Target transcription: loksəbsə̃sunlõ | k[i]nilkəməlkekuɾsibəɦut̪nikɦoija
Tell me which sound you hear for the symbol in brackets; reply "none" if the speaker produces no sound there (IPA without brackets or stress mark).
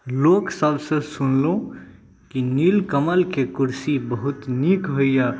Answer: i